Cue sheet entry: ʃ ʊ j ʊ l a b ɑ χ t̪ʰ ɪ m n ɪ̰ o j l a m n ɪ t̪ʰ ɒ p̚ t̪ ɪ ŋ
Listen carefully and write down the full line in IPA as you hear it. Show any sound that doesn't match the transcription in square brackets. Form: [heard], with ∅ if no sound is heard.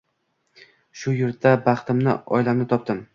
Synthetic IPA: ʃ ʊ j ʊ [ɾ] a b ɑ χ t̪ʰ ɪ m n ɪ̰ [ɒ] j l a m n ɪ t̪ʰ ɒ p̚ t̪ ɪ [m]